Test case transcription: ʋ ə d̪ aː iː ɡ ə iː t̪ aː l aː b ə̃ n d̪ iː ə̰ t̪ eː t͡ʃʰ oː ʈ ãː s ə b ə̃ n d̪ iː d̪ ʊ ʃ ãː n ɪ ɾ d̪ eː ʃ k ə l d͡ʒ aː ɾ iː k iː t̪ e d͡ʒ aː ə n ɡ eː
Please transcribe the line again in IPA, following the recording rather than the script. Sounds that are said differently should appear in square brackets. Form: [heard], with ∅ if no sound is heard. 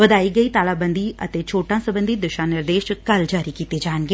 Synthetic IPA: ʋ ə d̪ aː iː ɡ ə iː t̪ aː l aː b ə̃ n d̪ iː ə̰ t̪ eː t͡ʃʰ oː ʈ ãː s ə b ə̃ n d̪ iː d̪ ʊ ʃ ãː n ɪ ɾ d̪ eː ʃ k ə l d͡ʒ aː ɾ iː k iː t̪ e d͡ʒ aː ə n ɡ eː